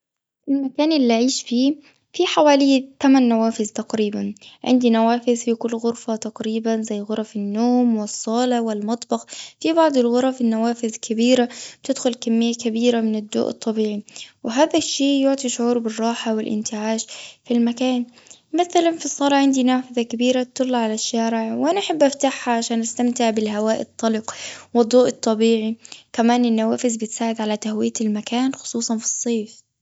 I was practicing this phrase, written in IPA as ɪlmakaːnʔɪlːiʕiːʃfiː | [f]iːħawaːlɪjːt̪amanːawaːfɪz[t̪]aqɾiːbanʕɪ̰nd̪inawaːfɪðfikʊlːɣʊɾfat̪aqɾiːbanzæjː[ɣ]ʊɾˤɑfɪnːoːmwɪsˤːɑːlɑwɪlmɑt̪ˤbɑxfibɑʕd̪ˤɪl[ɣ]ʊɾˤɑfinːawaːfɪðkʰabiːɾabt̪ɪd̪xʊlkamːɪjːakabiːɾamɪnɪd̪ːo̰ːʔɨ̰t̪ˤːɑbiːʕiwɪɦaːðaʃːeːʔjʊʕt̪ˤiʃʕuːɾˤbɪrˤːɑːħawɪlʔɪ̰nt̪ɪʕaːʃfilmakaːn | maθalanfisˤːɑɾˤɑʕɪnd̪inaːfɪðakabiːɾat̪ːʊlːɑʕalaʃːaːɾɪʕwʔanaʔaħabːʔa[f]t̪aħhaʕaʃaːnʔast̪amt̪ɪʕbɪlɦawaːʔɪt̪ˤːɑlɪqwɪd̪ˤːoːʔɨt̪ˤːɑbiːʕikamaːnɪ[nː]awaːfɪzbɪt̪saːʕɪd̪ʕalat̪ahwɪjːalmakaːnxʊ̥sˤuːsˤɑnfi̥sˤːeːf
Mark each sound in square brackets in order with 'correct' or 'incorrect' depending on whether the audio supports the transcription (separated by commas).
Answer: correct, correct, correct, correct, correct, correct